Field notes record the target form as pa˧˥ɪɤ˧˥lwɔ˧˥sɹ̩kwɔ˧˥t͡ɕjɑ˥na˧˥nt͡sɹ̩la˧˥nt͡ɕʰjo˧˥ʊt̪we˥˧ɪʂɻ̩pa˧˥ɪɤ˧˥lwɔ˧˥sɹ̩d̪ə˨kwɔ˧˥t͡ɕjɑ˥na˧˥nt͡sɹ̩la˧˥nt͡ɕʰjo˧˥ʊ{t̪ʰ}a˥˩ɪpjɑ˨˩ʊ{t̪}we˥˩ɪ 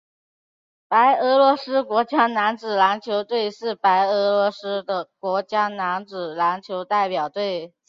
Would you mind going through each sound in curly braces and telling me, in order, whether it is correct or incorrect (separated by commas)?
incorrect, correct